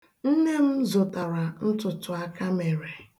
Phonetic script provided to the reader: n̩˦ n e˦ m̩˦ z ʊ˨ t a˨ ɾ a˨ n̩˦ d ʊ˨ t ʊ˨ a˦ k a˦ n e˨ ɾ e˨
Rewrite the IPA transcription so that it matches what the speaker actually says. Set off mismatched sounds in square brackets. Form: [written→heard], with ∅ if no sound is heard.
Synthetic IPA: n̩˦ n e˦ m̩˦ z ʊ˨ t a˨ ɾ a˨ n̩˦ [d→t] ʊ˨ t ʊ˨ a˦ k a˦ [n→m] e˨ ɾ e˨